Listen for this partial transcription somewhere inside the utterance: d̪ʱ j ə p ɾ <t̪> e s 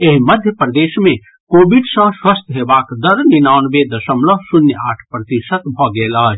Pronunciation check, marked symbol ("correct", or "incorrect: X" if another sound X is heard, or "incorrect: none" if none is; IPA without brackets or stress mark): incorrect: d̪